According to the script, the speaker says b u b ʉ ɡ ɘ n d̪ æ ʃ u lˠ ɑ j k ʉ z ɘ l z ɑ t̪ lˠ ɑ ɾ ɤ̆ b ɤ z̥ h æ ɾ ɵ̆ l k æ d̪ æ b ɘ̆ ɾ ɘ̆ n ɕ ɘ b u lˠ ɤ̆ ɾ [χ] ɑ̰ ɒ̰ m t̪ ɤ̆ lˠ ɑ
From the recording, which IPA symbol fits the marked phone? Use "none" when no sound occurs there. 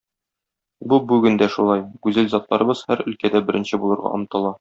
ʁ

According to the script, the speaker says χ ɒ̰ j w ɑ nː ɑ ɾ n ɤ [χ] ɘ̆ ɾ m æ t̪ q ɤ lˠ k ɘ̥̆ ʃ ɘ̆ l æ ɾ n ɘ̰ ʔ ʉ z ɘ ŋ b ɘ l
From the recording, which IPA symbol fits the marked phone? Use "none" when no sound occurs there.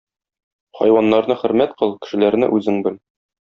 χ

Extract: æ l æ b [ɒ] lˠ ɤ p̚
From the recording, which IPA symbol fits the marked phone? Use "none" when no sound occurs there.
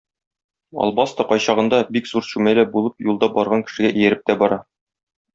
u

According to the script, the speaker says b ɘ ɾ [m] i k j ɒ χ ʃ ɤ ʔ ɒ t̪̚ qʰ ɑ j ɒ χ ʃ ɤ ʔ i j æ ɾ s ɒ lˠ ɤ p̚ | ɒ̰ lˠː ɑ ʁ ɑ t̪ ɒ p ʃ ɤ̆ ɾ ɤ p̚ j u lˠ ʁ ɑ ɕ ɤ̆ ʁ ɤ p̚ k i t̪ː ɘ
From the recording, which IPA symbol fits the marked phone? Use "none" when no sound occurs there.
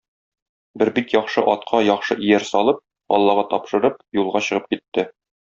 b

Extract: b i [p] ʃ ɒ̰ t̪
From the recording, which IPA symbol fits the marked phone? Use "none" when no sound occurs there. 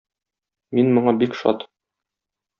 k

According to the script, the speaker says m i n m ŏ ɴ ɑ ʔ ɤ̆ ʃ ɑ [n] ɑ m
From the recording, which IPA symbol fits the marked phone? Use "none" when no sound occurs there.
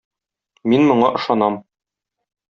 n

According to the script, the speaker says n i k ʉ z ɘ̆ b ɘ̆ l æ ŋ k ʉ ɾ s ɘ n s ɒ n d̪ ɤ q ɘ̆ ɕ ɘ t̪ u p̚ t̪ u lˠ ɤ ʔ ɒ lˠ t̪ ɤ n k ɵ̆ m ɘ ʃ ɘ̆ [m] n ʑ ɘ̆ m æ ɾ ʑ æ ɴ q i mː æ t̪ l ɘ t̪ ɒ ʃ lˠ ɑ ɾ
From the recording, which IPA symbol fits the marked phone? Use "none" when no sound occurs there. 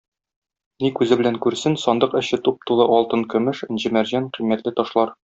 none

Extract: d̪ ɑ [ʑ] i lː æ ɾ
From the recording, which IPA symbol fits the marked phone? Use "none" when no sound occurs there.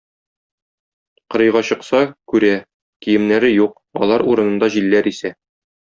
ʑ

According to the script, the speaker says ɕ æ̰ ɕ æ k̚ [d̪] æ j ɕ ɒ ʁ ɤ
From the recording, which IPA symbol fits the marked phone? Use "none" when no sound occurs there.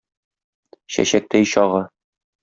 t̪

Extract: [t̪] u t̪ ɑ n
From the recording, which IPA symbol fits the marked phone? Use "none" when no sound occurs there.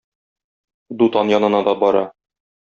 d̪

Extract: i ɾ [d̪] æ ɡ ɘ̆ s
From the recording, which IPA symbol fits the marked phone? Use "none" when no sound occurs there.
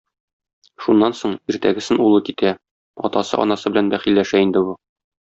t̪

